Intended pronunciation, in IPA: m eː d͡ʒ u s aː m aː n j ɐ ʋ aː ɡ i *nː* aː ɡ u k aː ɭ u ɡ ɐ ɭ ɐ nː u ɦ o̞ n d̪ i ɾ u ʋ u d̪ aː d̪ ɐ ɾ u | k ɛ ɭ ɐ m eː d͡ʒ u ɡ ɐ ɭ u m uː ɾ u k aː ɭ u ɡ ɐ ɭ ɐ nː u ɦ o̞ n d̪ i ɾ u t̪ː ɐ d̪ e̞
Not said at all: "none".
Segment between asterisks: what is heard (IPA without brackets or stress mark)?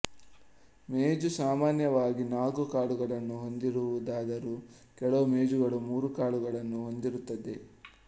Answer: n